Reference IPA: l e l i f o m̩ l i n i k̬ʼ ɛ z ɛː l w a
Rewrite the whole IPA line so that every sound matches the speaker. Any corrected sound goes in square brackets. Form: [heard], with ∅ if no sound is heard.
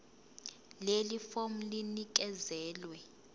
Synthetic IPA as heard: l e l i f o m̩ l i n i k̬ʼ ɛ z ɛː l w [ɛ]